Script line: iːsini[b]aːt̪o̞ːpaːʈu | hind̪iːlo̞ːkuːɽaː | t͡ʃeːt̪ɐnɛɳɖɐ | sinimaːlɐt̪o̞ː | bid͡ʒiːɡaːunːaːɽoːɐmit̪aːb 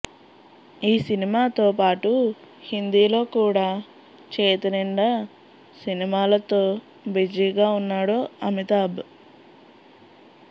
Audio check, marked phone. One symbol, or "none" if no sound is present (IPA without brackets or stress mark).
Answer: m